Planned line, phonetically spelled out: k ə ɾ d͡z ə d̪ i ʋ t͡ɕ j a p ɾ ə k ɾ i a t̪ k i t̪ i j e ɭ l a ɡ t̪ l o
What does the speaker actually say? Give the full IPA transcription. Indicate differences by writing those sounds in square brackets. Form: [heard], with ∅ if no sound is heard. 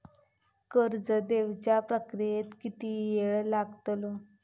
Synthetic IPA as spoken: k ə ɾ d͡z ə d̪ [e] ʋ t͡ɕ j a p ɾ ə k ɾ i [e] t̪ k i t̪ i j e ɭ l a ɡ t̪ l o